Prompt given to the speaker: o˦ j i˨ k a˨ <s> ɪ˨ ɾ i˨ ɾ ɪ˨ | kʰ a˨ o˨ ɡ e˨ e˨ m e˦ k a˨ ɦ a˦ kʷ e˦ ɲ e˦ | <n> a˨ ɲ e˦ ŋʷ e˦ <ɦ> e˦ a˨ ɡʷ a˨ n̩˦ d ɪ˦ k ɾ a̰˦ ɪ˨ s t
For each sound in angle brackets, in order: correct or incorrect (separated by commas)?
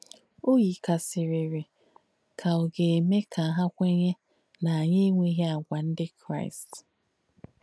correct, correct, correct